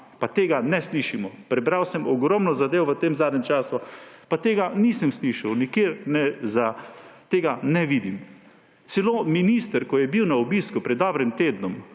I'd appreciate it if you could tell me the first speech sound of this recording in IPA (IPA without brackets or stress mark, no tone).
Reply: p